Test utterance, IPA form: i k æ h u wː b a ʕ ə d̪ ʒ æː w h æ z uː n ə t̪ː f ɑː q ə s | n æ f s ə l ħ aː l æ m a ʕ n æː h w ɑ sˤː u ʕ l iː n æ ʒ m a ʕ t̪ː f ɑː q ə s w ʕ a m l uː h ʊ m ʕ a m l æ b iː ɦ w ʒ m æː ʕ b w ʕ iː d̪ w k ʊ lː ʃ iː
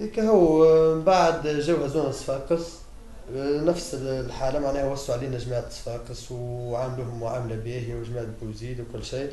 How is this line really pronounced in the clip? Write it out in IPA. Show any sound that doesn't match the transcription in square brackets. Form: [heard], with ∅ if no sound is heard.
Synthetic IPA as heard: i k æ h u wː b a ʕ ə d̪ ʒ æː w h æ z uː n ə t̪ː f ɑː q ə s | n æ f s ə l ħ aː l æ m a ʕ n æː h w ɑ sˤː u ʕ l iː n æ ʒ m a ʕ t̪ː f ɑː q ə s w ʕ a m l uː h ʊ m ʕ a m l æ b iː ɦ w ʒ m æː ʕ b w [z] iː d̪ w k ʊ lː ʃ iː